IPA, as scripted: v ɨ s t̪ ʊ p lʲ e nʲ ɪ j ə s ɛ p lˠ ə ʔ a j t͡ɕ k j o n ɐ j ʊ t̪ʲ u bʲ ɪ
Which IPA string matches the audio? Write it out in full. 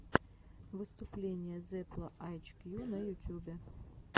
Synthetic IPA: v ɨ s t̪ ʊ p lʲ e nʲ ɪ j ə z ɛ p lˠ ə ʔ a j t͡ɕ k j u n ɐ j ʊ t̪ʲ u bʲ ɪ